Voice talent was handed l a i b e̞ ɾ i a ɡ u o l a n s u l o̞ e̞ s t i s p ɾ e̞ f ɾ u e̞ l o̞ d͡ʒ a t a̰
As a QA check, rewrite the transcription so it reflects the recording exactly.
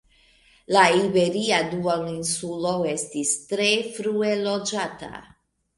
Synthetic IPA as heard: l a i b e̞ ɾ i a d u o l i n s u l o̞ e̞ s t i s t ɾ e̞ f ɾ u e̞ l o̞ d͡ʒ a t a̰